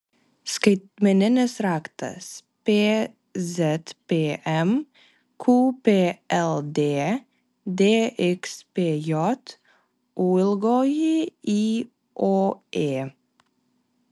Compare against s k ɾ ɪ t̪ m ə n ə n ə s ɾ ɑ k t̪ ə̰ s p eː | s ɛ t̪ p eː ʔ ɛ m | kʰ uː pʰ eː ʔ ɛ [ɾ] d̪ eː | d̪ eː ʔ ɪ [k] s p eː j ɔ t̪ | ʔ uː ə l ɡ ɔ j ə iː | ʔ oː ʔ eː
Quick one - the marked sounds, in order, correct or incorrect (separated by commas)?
incorrect, correct